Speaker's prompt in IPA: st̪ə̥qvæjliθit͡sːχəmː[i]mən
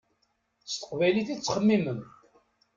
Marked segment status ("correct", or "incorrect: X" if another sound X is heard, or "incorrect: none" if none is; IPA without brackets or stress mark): correct